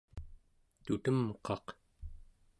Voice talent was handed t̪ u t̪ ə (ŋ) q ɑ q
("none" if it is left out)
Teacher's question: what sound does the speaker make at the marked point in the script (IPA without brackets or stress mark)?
m